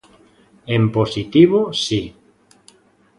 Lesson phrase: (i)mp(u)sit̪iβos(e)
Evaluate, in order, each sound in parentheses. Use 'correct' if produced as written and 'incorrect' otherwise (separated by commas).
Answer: incorrect, incorrect, incorrect